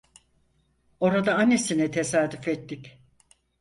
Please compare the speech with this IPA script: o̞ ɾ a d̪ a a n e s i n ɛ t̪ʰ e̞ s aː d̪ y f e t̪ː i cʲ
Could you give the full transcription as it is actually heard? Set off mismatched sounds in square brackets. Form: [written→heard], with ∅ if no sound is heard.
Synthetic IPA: o̞ ɾ a d̪ a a n e s i n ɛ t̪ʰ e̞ s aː d̪ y f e t̪ː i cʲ